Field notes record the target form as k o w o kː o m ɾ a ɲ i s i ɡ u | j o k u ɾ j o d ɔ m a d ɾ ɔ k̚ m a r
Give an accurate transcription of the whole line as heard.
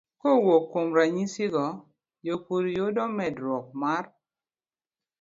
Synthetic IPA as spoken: k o w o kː o m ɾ a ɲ i s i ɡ ɔ | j o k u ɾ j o d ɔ m ɛ d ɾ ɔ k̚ m a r

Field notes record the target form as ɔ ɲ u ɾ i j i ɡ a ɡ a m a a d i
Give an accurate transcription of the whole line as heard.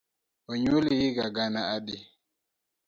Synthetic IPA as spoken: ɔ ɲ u l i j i ɡ a ɡ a n a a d i

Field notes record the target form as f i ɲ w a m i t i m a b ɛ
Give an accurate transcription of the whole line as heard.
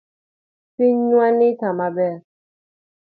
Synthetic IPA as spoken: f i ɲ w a n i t a m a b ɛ

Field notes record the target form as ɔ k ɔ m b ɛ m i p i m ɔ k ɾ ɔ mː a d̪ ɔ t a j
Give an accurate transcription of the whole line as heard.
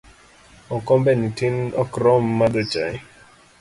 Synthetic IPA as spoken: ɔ k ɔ m b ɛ n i t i n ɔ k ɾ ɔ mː a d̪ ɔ t͡ʃ a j

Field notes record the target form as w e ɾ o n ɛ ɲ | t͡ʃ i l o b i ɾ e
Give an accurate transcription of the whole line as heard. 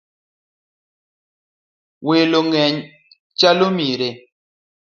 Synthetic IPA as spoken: w e l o ŋ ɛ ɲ | t͡ʃ a l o m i ɾ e

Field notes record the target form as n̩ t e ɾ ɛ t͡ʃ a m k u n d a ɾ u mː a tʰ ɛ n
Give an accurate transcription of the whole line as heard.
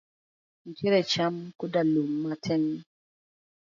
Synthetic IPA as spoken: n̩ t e ɾ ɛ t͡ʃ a m k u d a l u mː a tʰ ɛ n

